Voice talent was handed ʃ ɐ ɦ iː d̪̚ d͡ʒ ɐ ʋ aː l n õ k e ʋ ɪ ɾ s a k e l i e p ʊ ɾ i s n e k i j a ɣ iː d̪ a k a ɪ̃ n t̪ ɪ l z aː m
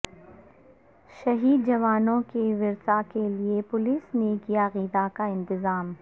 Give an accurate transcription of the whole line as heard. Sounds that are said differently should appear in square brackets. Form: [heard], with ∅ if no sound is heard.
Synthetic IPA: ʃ ɐ ɦ iː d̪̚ d͡ʒ ɐ ʋ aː [∅] n õ k e ʋ ɪ ɾ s a k e l i e p ʊ [l] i s n e k i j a ɣ iː d̪ a k a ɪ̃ n t̪ ɪ [∅] z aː m